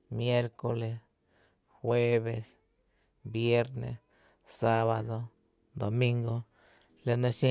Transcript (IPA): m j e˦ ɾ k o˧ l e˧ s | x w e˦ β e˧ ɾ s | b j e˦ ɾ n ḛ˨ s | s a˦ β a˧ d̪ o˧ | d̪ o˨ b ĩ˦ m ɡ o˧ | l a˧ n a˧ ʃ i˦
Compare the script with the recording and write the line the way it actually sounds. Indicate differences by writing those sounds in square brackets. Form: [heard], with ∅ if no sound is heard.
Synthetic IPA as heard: m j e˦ ɾ k o˧ l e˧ s | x w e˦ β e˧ [∅] s | b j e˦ ɾ n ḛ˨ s | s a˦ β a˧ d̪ o˧ | d̪ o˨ [m] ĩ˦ [ŋ] ɡ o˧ | l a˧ n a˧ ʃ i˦